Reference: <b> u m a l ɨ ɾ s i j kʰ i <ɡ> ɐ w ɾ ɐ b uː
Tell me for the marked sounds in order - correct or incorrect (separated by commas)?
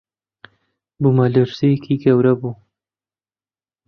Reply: correct, correct